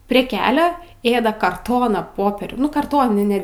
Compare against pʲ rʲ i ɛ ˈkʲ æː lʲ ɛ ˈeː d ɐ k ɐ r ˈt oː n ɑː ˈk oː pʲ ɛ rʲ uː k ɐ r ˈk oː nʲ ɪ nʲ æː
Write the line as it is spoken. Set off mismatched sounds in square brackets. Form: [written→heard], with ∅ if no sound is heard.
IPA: pʲ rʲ i ɛ ˈkʲ æː lʲ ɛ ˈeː d ɐ k ɐ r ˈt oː n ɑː [ˈk→ˈp] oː pʲ ɛ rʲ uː k ɐ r [ˈk→ˈt] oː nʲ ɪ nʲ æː